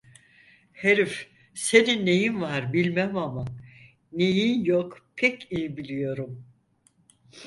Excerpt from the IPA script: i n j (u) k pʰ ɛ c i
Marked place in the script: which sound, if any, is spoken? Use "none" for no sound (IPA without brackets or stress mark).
o